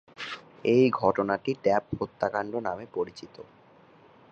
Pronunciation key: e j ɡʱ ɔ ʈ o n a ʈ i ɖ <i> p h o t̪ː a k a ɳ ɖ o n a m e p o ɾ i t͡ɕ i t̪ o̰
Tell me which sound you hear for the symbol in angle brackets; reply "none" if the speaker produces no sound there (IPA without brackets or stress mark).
ɛ